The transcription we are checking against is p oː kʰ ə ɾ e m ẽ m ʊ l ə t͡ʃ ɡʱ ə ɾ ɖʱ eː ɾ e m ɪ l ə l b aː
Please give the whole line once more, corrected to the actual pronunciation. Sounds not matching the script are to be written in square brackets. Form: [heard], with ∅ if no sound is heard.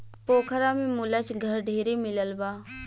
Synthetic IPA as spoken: p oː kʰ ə ɾ [a] m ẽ m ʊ l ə t͡ʃ ɡʱ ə ɾ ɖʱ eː ɾ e m ɪ l ə l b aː